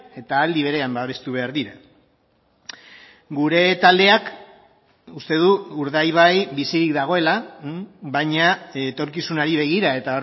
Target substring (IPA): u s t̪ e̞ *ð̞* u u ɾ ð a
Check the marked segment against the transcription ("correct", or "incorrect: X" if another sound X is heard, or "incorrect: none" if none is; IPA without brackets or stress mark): correct